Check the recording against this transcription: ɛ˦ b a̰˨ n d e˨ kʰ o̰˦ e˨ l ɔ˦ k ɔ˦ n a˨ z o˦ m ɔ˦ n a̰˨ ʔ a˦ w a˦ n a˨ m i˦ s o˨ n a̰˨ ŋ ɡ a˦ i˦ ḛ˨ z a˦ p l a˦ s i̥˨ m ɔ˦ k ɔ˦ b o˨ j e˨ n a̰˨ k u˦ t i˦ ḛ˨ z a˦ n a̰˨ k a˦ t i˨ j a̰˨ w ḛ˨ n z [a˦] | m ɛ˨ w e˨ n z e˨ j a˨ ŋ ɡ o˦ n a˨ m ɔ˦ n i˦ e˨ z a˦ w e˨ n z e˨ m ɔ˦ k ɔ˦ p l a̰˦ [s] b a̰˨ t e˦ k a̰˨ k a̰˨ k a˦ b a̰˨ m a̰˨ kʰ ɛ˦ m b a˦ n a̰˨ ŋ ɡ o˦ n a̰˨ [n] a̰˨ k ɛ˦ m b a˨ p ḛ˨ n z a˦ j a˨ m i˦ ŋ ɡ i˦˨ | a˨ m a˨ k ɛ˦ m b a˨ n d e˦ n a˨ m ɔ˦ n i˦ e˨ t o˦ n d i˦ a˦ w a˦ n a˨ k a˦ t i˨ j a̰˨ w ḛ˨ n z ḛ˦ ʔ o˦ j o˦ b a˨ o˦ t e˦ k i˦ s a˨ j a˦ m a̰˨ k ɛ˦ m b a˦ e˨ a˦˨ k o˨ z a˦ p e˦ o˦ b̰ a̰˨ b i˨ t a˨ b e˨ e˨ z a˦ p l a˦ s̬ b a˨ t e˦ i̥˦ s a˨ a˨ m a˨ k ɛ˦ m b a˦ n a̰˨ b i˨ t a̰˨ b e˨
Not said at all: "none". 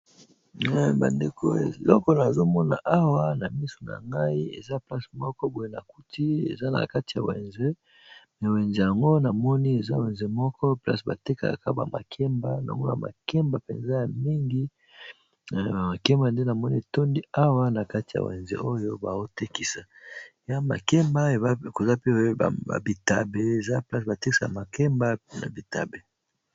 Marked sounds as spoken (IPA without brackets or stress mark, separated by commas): e˦, s, m